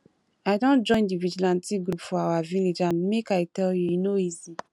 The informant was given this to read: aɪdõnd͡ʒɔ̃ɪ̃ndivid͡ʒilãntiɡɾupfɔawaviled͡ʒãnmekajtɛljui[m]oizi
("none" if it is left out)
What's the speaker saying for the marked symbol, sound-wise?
n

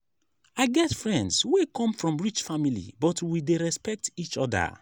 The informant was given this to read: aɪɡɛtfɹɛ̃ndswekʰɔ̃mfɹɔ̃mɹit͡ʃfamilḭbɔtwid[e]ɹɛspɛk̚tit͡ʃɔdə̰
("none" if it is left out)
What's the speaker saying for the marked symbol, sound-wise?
e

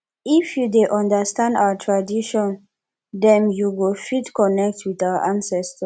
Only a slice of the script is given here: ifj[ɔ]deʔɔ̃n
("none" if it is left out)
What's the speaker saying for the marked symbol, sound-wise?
u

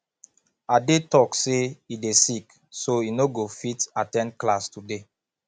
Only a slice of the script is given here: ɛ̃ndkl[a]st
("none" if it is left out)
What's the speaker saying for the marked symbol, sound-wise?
a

